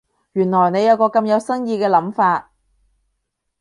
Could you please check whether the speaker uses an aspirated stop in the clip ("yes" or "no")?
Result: no